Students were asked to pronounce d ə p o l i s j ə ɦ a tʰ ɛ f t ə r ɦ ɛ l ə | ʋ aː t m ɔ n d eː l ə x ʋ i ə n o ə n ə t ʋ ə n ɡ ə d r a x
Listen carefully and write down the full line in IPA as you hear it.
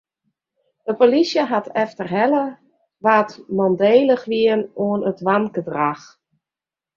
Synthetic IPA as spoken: d ə p o l i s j ə ɦ a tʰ ɛ f t ə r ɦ ɛ l ə | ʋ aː t m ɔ n d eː l ə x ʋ i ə n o ə n ə t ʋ a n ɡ ə d r a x

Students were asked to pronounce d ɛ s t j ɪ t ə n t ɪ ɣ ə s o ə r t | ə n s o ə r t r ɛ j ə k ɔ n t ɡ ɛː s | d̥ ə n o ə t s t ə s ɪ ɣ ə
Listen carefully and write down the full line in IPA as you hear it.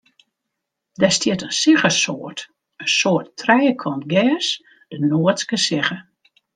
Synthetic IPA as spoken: d ɛ s t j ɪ t ə n s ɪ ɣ ə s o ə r t | ə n s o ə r t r ɛ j ə kʰ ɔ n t ɡ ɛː s | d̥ ə n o ə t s k ə s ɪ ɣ ə

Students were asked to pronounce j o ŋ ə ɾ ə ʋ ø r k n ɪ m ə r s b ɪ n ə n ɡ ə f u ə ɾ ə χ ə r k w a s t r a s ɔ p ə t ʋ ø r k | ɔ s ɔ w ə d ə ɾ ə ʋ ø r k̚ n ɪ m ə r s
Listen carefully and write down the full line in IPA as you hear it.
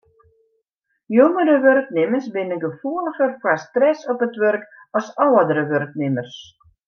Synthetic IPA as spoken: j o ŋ ə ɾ ə ʋ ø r k n ɪ m ə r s b ɪ n ə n ɡ ə f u ə l ə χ ə r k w a s t r ɛ s ɔ p ə t ʋ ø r k | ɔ s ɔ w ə d ə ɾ ə ʋ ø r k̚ n ɪ m ə r s

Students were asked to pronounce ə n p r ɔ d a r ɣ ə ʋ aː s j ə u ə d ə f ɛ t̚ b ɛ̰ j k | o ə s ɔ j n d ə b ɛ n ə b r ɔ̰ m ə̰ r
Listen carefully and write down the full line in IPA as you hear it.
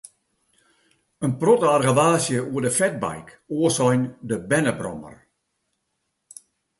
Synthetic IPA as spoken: ə n p r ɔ t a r ɣ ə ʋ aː s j ə u ə d ə f ɛ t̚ b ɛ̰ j k | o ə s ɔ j n d ə b ɛ n ə b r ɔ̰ m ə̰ r

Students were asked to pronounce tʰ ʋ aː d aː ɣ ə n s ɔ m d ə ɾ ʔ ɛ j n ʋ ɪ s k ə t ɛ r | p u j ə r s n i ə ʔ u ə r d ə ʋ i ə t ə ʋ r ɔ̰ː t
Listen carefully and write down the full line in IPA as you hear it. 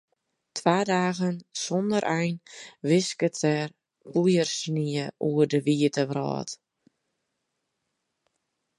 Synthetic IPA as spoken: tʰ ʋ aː d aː ɣ ə n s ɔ n d ə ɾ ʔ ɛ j n ʋ ɪ s k ə t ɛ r | p u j ə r s n i ə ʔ u ə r d ə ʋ i ə t ə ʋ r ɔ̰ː t

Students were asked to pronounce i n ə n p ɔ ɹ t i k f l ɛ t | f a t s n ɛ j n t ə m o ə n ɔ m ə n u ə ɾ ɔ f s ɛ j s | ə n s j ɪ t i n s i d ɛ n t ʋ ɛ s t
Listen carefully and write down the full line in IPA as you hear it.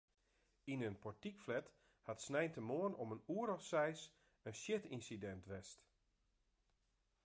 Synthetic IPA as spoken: i n ə n p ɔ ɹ t i k f l ɛ t | h a t s n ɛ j n t ə m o ə n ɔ m ə n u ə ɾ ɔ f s ɛ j s | ə n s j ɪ t i n s i d ɛ n t ʋ ɛ s t

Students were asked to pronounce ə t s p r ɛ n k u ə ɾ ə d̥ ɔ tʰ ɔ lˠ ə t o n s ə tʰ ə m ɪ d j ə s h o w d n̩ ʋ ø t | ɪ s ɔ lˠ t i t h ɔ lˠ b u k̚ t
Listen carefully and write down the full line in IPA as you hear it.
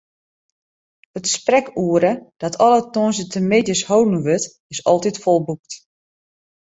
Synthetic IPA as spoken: ə t s p r ɛ k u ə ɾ ə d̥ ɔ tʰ ɔ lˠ ə t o n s ə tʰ ə m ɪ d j ə s h o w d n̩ ʋ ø t | ɪ s ɔ lˠ t i t f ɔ lˠ b u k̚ t

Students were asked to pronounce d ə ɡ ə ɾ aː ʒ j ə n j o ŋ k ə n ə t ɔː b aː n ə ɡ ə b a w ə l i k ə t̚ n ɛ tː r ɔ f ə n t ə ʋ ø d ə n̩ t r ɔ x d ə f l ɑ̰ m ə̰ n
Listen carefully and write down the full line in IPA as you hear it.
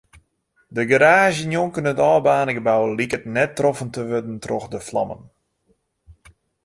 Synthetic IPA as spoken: d ə ɡ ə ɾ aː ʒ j ə n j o ŋ k ə n ə t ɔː b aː n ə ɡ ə b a w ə l i k ə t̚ n ɛ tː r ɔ f ə n t ə ʋ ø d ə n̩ t r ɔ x d ə f l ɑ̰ m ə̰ n

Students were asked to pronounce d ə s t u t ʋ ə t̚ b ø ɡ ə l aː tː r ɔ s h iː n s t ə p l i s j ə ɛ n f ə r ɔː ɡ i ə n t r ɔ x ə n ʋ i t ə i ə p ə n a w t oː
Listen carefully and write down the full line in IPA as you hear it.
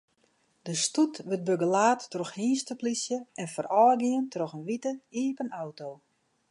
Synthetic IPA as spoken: d ə s t u t ʋ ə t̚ b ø ɡ ə l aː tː r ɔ x h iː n s t ə p l i s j ə ɛ n f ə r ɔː ɡ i ə n t r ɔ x ə n ʋ i t ə i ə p ə n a w t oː

